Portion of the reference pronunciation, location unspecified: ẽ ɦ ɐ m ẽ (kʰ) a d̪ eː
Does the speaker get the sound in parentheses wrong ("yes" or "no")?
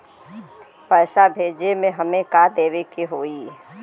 yes